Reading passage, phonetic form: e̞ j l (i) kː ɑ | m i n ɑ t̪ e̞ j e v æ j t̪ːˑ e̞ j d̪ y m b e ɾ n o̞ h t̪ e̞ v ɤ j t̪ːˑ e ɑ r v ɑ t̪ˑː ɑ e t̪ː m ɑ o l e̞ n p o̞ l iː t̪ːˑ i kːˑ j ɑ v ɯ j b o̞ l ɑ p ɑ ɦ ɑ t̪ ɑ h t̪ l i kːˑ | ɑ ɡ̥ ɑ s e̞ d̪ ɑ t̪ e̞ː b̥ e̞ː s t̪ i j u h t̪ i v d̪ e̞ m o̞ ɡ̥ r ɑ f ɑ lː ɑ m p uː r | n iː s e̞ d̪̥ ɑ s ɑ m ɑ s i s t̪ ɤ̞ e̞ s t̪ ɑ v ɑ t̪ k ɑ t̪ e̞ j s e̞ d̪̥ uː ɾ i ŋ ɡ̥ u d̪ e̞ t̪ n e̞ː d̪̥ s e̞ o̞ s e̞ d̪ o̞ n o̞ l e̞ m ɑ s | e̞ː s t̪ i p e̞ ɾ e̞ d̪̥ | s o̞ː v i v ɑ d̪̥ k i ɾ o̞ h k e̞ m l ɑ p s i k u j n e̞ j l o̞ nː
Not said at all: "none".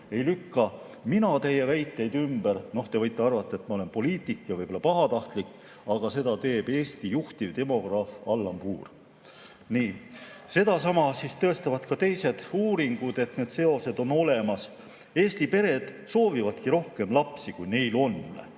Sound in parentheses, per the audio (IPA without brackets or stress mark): y